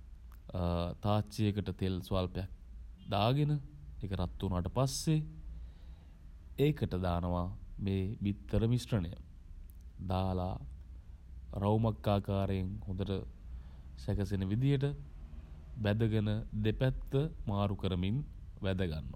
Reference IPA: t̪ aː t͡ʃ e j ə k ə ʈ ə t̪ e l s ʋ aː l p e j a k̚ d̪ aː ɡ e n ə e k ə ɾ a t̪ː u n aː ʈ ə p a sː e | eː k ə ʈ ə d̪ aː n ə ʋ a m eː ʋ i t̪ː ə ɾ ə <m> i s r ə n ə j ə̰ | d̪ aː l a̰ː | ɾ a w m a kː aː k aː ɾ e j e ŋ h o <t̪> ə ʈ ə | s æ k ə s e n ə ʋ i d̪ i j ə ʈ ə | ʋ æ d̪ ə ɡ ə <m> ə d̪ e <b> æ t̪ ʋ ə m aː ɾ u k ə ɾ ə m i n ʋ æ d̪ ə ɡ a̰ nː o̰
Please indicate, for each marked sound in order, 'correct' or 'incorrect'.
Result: correct, incorrect, incorrect, incorrect

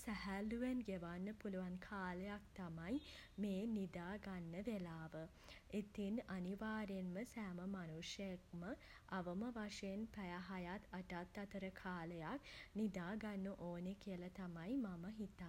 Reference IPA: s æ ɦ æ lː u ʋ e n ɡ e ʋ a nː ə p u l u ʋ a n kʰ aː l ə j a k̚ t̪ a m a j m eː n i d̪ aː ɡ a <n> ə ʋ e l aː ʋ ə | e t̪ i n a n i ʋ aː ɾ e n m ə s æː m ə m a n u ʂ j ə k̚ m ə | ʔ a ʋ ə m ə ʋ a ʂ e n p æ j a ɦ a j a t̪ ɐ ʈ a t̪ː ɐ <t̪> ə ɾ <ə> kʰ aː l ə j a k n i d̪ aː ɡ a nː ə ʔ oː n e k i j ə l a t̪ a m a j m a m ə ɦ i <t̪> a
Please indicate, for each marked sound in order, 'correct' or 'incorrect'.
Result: incorrect, correct, correct, correct

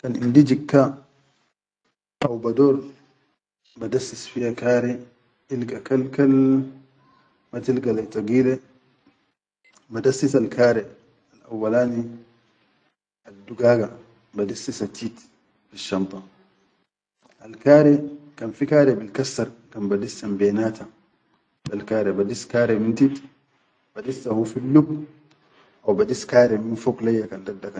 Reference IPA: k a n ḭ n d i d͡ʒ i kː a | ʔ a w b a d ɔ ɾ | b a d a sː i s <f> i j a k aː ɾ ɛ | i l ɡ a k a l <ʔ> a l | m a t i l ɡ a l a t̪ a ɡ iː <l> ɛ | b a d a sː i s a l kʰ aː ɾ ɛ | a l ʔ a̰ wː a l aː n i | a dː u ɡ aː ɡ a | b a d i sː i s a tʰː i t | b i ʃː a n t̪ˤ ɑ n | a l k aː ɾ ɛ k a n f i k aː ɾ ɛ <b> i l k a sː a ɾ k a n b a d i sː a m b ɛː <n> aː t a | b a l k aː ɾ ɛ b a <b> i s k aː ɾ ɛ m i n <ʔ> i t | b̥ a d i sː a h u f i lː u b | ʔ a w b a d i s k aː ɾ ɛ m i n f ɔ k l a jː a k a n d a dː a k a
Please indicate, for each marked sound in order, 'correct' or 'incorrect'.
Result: correct, incorrect, correct, correct, correct, incorrect, incorrect

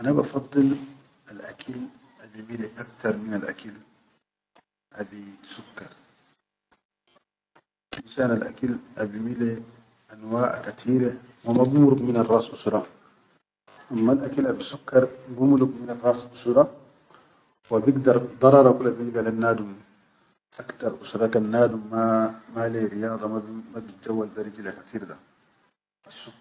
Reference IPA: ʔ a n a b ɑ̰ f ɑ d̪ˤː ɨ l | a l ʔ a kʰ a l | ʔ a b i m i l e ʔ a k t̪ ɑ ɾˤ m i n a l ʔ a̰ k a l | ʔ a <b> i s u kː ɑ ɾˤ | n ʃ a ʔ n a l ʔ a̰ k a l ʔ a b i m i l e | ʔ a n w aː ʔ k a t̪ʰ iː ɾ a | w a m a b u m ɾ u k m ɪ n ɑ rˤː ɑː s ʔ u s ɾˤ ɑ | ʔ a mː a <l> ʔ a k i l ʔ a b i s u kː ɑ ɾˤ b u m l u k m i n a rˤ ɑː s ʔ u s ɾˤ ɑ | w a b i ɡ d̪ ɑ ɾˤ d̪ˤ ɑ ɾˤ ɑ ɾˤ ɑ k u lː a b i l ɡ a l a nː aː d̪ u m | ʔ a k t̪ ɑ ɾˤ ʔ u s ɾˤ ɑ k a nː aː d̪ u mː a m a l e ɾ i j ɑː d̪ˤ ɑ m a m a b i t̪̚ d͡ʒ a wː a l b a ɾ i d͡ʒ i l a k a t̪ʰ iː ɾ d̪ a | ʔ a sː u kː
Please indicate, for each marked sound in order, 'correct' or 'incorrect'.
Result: correct, correct

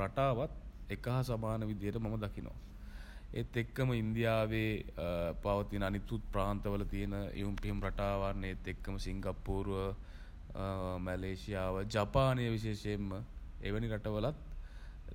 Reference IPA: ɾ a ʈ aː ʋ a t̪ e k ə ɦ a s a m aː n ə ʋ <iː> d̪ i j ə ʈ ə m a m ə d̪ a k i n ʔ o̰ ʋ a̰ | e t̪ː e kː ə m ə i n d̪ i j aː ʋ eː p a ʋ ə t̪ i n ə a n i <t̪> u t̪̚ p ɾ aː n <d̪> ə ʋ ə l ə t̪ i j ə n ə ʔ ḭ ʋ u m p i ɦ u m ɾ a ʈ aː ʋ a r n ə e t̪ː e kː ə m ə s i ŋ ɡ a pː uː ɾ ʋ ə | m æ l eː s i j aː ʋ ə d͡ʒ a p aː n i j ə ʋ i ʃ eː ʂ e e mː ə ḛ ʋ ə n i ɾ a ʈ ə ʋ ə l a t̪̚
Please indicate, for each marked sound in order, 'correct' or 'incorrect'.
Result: incorrect, correct, incorrect

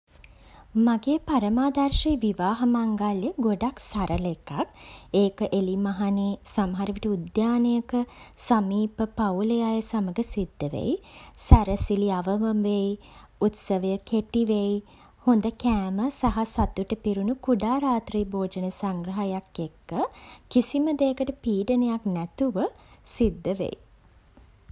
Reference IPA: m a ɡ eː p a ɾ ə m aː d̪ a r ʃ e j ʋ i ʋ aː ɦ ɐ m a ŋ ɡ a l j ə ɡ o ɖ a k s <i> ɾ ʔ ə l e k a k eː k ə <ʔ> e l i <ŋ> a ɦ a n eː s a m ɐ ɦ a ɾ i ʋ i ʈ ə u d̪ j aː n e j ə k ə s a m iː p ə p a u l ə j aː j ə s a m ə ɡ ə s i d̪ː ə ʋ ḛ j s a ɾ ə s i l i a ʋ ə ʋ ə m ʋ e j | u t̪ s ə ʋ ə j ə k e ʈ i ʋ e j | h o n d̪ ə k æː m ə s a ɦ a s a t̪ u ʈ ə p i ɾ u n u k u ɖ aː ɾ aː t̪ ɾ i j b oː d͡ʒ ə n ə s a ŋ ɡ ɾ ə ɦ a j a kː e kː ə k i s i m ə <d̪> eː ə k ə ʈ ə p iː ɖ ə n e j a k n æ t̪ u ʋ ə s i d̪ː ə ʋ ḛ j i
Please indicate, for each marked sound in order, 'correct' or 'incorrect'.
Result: incorrect, correct, incorrect, correct

